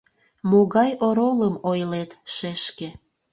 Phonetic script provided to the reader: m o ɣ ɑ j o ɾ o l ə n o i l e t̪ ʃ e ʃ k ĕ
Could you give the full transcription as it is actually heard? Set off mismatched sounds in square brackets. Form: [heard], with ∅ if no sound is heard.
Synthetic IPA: m o ɣ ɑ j o ɾ o l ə [m] o [j] l e t̪ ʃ e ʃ k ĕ